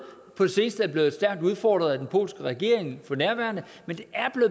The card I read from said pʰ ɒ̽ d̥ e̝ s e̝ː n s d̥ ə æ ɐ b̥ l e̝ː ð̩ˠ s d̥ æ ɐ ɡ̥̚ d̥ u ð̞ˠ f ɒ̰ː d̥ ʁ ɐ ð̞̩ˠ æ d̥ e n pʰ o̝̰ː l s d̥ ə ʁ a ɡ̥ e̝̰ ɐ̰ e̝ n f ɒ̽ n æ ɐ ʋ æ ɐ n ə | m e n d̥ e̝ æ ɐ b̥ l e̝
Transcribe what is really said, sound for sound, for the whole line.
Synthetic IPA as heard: pʰ ɒ̽ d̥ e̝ s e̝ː n s d̥ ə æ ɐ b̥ l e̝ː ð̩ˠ s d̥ æ ɐ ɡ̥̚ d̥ u ð̞ˠ f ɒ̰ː d̥ ʁ ɐ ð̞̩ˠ æ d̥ e n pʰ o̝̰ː l s ɡ̥ ə ʁ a ɡ̥ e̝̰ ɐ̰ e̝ ŋ f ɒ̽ n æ ɐ ʋ æ ɐ n ə | m e n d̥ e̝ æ ɐ b̥ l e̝